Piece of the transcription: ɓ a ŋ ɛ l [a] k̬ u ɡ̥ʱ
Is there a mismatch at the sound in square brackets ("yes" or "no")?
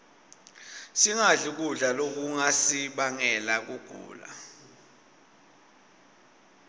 no